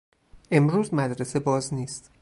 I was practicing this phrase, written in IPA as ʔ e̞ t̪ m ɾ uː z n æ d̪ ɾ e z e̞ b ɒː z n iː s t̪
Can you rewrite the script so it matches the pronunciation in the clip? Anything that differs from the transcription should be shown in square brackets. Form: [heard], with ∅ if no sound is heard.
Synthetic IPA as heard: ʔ e̞ [∅] m ɾ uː z [m] æ d̪ ɾ e [s] e̞ b ɒː z n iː s t̪